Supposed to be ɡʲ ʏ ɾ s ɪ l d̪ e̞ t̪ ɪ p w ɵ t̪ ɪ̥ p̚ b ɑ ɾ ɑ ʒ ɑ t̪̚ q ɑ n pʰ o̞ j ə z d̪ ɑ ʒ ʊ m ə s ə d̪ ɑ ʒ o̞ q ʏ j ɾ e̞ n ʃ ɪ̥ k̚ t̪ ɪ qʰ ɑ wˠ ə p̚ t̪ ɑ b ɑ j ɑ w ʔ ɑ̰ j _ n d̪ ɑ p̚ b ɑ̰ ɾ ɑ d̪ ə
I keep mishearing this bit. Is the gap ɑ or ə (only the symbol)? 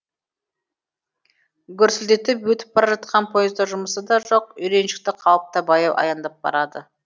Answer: ɑ